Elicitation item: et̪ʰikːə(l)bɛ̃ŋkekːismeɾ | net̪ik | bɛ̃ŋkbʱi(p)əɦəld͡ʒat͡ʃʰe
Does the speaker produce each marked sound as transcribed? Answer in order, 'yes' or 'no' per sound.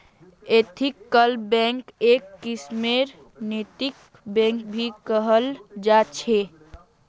yes, no

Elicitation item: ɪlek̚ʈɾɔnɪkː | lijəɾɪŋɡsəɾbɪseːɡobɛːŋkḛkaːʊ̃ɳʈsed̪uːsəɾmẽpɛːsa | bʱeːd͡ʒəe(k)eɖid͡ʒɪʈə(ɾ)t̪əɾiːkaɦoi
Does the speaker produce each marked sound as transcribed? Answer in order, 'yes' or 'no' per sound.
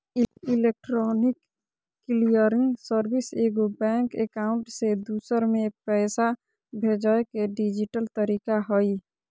yes, no

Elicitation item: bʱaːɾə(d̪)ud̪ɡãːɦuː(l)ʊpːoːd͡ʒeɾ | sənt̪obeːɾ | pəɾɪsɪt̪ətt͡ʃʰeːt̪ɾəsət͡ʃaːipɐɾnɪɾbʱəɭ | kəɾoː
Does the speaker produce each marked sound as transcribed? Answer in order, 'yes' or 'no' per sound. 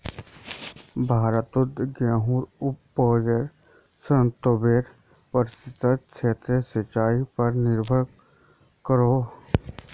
no, no

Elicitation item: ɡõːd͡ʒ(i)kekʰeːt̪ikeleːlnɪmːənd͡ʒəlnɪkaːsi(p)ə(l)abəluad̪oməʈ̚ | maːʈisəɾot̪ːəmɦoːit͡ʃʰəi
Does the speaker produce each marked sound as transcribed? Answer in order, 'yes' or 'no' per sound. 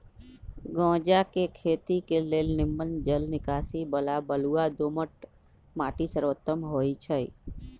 no, no, yes

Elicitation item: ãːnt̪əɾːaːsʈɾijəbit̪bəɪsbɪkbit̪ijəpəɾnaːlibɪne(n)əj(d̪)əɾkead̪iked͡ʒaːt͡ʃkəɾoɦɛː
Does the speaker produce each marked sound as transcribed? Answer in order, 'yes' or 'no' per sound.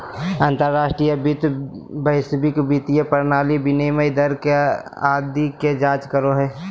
no, yes

